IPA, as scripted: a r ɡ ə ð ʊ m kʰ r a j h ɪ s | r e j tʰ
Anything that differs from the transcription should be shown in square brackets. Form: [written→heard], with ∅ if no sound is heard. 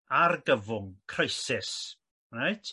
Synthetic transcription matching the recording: a r ɡ ə [ð→v] ʊ [m→ŋ] kʰ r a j [h→s] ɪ s | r [e→a] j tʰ

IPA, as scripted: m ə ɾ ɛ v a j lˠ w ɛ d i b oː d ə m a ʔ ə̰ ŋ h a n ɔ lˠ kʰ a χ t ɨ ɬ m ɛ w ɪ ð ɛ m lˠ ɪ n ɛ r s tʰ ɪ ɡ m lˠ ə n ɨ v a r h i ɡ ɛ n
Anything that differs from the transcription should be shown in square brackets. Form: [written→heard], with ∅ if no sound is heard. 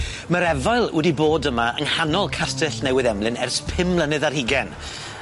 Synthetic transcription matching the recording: m ə ɾ ɛ v a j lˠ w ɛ d i b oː d ə m a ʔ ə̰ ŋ h a n ɔ lˠ kʰ a [χ→s] t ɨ ɬ [m→n] ɛ w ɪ ð ɛ m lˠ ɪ n ɛ r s [tʰ→pʰ] ɪ [ɡ→∅] m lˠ ə n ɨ [v→ð] a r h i ɡ ɛ n

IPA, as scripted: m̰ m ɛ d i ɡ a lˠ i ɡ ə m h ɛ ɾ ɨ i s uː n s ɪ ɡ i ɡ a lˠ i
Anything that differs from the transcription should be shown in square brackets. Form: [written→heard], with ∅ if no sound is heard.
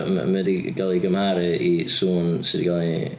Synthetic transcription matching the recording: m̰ m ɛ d i ɡ a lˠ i ɡ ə m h [ɛ→a] ɾ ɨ i s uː n s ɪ [ɡ→d] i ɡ a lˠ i

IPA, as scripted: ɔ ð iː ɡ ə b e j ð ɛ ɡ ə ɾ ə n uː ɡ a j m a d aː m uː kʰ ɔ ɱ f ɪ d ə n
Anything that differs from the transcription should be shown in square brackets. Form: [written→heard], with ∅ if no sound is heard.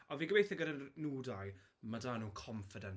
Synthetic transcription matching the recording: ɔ [ð→v] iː ɡ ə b e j [ð→θ] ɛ ɡ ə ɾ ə n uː [ɡ→d] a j m a d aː [m→n] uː kʰ ɔ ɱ f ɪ d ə n

